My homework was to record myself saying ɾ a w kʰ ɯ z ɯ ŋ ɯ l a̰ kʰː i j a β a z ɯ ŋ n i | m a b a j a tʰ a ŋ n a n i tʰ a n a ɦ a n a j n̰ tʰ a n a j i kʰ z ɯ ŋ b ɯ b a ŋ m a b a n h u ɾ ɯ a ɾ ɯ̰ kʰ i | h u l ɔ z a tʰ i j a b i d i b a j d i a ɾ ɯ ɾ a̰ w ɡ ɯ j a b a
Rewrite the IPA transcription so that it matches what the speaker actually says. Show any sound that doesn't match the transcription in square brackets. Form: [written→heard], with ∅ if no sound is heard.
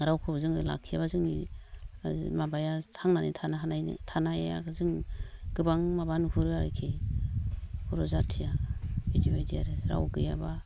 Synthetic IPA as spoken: ɾ a w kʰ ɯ z ɯ ŋ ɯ l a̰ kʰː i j a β a z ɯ ŋ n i | m a b a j a tʰ a ŋ n a n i tʰ a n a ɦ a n a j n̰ tʰ a n a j [i→a] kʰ z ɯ ŋ [b→ɡ] ɯ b a ŋ m a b a n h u ɾ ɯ a ɾ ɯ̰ kʰ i | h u [l→ɾ] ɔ z a tʰ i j a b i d i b a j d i a ɾ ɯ ɾ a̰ w ɡ ɯ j a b a

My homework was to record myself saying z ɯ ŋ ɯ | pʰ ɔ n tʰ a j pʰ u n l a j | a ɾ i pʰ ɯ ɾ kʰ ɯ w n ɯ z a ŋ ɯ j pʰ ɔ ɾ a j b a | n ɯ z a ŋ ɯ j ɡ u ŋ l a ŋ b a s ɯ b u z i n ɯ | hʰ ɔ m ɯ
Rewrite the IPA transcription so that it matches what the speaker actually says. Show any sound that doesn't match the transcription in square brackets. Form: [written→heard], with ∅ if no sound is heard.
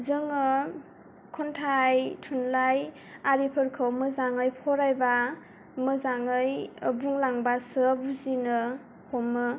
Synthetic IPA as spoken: z ɯ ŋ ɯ | [pʰ→kʰ] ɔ n tʰ a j [pʰ→tʰ] u n l a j | a ɾ i pʰ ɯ ɾ kʰ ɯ w [n→m] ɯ z a ŋ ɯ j pʰ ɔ ɾ a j b a | [n→m] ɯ z a ŋ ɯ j [ɡ→b] u ŋ l a ŋ b a s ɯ b u z i n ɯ | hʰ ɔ m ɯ

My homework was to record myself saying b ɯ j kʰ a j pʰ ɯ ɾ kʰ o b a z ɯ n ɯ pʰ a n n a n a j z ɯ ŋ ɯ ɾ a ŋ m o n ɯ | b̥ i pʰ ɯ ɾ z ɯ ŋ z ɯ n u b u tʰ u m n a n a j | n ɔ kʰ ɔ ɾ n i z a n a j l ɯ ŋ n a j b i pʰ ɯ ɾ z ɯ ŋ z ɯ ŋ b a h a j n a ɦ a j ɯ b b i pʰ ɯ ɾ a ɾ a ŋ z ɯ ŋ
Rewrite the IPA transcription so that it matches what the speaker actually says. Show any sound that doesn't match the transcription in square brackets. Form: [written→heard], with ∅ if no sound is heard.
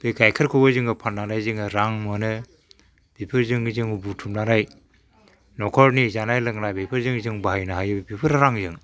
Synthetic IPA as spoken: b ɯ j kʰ a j [pʰ→kʰ] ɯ ɾ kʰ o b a z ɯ [n→ŋ] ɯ pʰ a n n a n a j z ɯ ŋ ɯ ɾ a ŋ m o n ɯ | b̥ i pʰ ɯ ɾ z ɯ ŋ z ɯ [n→ŋ] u b u tʰ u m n a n a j | n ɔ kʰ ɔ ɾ n i z a n a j l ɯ ŋ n a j b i pʰ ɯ ɾ z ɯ ŋ z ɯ ŋ b a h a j n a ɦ a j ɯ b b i pʰ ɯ ɾ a ɾ a ŋ z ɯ ŋ

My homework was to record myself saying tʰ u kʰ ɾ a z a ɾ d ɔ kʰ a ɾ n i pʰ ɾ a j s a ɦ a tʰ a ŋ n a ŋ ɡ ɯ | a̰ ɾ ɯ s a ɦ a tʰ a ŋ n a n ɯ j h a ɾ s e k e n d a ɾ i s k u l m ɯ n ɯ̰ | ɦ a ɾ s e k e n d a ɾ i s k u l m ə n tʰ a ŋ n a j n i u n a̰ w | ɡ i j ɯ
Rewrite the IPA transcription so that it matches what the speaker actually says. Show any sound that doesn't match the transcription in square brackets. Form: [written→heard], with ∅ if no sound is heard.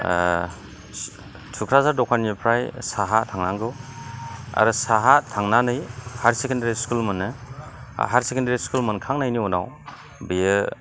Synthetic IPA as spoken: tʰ u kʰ ɾ a z a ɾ d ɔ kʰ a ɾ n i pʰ ɾ a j s a ɦ a tʰ a ŋ n a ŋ ɡ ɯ | a̰ ɾ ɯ s a ɦ a tʰ a ŋ n a n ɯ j h a ɾ s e k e n d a ɾ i s k u l m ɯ n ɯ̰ | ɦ a ɾ s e k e n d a ɾ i s k u l m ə n [tʰ→kʰ] a ŋ n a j n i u n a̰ w | [ɡ→b] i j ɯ

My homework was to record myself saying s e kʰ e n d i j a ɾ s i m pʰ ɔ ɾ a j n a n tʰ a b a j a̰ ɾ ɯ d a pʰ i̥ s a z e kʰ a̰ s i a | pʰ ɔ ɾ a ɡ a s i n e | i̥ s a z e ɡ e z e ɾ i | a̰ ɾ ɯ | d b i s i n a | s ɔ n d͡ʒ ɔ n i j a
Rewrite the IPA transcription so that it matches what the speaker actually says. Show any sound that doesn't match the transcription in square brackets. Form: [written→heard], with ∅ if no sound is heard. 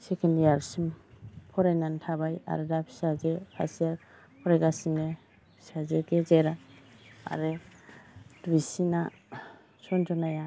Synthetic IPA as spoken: s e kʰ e n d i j a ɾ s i m pʰ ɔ ɾ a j n a n tʰ a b a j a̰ ɾ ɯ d a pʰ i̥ s a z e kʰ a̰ s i a | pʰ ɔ ɾ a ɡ a s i n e | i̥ s a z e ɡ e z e ɾ [i→a] | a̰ ɾ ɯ | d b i s i n a | s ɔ n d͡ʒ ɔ n [i→a] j a

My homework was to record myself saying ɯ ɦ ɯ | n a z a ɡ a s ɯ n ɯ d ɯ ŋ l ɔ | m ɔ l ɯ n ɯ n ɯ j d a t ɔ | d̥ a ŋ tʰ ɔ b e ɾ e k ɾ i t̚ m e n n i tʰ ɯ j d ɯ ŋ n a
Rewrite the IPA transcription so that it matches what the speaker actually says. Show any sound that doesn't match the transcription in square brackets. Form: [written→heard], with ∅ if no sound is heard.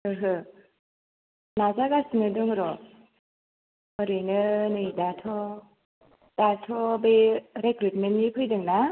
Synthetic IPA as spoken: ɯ ɦ ɯ | n a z a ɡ a s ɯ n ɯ d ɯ ŋ [l→ɾ] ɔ | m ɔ [l→ɾ] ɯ n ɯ n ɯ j d a [t→tʰ] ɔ | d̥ a [ŋ→∅] tʰ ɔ b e ɾ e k ɾ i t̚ m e n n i [tʰ→pʰ] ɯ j d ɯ ŋ n a

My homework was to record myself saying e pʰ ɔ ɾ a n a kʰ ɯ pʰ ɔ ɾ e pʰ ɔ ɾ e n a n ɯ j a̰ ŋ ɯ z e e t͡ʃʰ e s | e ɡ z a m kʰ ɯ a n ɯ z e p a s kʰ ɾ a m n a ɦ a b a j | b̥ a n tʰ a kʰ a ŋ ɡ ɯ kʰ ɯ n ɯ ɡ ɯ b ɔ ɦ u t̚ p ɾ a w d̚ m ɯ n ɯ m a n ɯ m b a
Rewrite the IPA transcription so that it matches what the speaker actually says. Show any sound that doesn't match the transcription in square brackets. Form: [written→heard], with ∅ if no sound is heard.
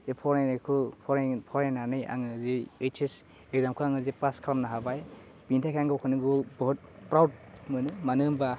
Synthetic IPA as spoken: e pʰ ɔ ɾ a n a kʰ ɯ pʰ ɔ ɾ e pʰ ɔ ɾ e n a n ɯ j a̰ ŋ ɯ z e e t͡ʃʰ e s | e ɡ z a m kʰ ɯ a [n→ŋ] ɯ z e p a s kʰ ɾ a m n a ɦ a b a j | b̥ [a→i] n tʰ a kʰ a ŋ ɡ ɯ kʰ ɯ n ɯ ɡ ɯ b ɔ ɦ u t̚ p ɾ a w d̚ m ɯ n ɯ m a n ɯ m b a

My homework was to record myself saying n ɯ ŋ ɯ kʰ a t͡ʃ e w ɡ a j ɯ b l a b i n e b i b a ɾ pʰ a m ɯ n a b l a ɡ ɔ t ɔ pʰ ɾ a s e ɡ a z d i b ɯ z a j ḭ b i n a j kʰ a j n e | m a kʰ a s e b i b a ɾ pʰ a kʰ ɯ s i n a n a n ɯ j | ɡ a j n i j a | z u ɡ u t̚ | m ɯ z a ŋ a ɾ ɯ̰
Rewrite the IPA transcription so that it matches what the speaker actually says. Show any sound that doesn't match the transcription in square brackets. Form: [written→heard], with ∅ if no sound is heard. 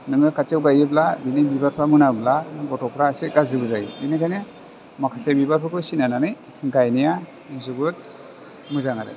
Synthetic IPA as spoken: n ɯ ŋ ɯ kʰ a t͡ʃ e w ɡ a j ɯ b l a b i n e b i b a ɾ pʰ a m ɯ n a b l a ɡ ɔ t ɔ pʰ ɾ a s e ɡ a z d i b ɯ z a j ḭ b i n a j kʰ a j n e | m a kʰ a s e b i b a ɾ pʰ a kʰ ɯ s i n a n a n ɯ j | ɡ a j n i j a | z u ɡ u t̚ | m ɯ z a ŋ a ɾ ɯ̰

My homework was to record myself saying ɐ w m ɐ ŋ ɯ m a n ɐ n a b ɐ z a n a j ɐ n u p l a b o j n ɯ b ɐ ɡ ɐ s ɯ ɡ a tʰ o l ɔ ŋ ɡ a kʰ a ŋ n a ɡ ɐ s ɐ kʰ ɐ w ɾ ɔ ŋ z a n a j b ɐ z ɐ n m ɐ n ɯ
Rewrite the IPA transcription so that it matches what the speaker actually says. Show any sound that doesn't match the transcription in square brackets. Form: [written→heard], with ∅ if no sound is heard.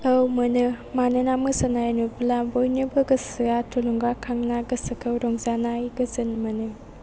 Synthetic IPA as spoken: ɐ w m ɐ [ŋ→n] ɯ m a n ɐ n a [b→m] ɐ [z→s] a n a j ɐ n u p l a b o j n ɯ b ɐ ɡ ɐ s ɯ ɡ a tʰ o l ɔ ŋ ɡ a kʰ a ŋ n a ɡ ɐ s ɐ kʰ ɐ w ɾ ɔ ŋ z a n a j [b→ɡ] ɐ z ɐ n m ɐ n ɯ

